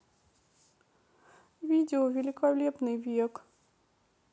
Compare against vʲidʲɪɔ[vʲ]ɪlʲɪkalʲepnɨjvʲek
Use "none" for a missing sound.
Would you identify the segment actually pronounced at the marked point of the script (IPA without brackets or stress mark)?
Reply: vʲ